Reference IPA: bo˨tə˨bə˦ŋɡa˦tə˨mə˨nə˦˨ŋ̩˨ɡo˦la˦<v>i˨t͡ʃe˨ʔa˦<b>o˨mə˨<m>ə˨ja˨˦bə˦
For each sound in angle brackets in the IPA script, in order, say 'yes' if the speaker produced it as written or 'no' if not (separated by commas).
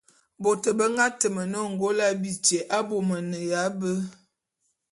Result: no, yes, no